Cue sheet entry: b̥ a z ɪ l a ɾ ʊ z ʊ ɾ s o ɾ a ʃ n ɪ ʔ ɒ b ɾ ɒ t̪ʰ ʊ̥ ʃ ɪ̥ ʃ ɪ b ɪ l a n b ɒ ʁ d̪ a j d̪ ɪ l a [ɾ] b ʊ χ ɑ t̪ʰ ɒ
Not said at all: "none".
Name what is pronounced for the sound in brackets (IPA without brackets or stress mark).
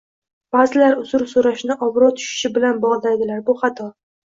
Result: ɾ